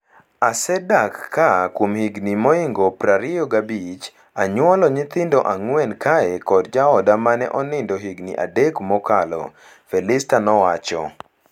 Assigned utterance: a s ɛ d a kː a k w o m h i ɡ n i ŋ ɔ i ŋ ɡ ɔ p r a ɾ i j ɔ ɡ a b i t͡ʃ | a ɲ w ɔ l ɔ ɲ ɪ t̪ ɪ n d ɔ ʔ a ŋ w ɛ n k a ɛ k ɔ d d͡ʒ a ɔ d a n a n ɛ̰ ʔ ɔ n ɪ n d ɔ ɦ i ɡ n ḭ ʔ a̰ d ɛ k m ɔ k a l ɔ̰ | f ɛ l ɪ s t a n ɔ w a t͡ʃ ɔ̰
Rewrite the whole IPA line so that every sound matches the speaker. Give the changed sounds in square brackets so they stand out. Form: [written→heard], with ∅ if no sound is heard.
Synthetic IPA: a s ɛ d a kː a k w o m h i ɡ n i [ŋ→m] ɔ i ŋ ɡ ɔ p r a ɾ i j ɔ ɡ a b i t͡ʃ | a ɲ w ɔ l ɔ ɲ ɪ t̪ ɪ n d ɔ ʔ a ŋ w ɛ n k a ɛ k ɔ d d͡ʒ a ɔ d a [n→m] a n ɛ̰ ʔ ɔ n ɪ n d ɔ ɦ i ɡ n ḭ ʔ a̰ d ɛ k m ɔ k a l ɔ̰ | f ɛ l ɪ s t a n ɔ w a t͡ʃ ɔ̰